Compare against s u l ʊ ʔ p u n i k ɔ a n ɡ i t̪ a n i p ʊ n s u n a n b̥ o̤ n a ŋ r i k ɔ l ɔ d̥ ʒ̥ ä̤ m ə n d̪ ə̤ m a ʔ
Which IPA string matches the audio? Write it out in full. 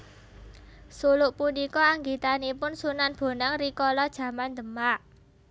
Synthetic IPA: s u l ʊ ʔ p u n i k ɔ a ŋ ɡ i t̪ a n i p ʊ n s u n a n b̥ o̤ n a ŋ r i k ɔ l ɔ d̥ ʒ̥ ä̤ m a n d̪ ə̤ m a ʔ